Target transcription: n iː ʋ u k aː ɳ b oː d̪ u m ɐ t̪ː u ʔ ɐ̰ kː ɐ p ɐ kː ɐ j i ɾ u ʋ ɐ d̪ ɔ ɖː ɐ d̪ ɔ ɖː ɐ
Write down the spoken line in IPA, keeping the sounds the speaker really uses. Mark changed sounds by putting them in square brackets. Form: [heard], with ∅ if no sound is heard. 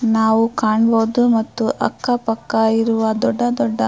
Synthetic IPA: n [aː] ʋ u k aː ɳ b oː d̪ u m ɐ t̪ː u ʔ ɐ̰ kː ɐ p ɐ kː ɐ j i ɾ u ʋ ɐ d̪ ɔ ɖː ɐ d̪ ɔ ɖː ɐ